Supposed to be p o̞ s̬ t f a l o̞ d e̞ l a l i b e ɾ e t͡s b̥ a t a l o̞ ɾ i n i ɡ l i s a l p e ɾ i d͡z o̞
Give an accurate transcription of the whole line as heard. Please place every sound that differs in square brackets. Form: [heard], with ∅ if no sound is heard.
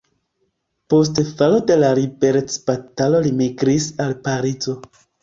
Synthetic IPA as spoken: p o̞ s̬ t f a l o̞ d e̞ l a [ɾ] i b e ɾ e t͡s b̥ a t a l o̞ [l] i [m] i ɡ [ɾ] i s a l p [a] ɾ i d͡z o̞